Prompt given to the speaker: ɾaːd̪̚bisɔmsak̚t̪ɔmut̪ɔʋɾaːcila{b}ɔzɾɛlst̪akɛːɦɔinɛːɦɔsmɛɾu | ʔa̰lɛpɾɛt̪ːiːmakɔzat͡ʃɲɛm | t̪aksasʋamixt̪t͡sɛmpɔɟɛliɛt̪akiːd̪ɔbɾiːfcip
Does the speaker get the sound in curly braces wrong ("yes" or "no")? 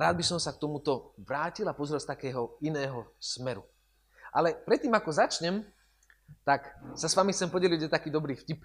yes